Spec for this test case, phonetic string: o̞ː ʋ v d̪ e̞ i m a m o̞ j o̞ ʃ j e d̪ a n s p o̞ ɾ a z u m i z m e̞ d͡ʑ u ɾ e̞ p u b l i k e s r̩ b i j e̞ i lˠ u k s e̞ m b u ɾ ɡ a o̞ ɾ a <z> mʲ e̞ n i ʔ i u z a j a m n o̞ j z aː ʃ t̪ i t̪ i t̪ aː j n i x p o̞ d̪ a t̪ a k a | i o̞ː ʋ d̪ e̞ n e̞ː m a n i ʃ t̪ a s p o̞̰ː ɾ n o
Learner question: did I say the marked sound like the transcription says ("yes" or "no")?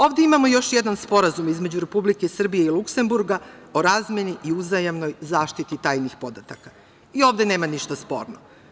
yes